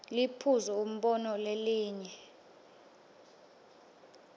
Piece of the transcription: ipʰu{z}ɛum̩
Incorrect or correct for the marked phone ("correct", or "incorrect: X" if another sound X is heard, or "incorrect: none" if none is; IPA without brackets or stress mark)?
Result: correct